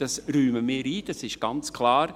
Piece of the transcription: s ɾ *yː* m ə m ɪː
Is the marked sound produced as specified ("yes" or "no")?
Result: yes